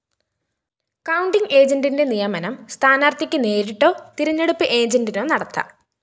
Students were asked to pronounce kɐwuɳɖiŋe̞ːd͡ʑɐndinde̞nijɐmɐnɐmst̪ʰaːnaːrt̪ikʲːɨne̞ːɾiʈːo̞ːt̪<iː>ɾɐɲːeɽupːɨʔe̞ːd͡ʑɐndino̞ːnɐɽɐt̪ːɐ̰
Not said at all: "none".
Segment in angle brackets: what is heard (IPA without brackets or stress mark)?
i